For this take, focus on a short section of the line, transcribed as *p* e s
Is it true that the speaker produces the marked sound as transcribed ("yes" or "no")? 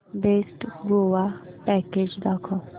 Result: no